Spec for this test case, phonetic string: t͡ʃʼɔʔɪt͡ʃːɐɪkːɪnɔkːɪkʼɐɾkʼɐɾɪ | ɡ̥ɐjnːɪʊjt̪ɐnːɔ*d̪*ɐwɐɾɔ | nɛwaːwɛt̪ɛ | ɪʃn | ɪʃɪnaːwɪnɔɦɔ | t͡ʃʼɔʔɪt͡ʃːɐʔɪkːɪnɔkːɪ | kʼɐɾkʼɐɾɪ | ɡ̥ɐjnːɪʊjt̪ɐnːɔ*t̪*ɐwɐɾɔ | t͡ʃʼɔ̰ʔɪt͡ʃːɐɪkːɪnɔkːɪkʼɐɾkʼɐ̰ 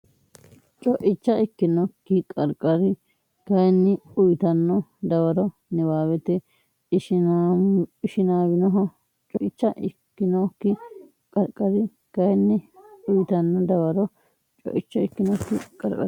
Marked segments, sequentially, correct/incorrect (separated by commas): correct, incorrect